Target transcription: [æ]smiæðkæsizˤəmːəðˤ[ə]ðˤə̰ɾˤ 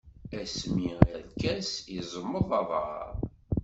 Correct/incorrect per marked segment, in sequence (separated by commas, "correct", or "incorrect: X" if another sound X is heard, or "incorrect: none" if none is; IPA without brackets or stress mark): correct, incorrect: ɑ